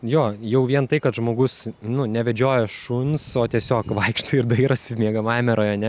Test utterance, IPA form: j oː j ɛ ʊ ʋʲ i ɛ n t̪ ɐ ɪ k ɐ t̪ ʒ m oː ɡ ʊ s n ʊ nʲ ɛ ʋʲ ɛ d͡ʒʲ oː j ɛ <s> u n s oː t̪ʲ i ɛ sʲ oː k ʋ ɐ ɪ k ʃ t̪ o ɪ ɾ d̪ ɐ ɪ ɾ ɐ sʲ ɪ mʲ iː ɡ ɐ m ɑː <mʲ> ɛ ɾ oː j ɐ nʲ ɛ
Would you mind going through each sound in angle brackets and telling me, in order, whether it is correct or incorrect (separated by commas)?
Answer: incorrect, correct